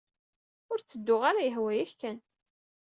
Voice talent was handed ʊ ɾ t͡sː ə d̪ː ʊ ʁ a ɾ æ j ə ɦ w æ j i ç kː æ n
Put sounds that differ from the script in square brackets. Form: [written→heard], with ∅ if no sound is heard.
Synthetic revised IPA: ʊ ɾ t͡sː ə d̪ː ʊ ʁ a ɾ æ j ə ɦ w æ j [i→æ] ç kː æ n